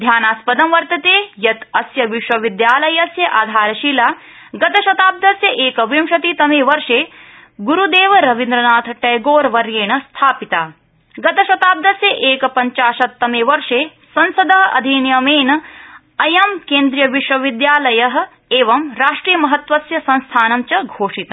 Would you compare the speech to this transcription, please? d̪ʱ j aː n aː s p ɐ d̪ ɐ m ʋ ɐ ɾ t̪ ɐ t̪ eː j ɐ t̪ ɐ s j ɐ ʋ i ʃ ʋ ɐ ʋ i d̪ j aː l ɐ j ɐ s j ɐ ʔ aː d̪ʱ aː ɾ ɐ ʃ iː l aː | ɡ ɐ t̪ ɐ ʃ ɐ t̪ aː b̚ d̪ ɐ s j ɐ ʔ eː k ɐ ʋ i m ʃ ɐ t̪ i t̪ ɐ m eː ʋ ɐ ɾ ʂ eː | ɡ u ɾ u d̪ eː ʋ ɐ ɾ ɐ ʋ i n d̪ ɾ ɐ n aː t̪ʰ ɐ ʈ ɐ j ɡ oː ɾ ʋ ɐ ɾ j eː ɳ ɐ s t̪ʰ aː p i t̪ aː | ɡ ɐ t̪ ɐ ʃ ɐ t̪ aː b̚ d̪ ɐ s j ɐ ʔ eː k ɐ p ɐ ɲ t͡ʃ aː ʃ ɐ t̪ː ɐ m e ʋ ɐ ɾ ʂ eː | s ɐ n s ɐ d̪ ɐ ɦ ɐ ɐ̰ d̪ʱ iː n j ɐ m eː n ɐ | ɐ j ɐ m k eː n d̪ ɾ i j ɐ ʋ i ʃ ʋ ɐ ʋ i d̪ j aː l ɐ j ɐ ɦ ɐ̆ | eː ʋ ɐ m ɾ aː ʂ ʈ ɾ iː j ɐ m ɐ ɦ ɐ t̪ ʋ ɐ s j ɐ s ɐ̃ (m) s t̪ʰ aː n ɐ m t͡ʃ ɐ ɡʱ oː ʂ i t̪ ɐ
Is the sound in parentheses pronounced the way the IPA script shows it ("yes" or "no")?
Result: no